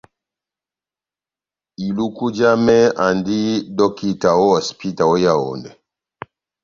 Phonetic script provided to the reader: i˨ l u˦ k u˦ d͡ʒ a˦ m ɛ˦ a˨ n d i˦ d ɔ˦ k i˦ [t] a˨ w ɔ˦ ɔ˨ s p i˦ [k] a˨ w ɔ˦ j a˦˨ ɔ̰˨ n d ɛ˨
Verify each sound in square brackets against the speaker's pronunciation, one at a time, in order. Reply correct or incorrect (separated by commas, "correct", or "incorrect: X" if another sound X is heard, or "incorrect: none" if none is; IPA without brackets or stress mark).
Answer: correct, incorrect: t